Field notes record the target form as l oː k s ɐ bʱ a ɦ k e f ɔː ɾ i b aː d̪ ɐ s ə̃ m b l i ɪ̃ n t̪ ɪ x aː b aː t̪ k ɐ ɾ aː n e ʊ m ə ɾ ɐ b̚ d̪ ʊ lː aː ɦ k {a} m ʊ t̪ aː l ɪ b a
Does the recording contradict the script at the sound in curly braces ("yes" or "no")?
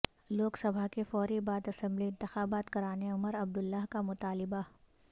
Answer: no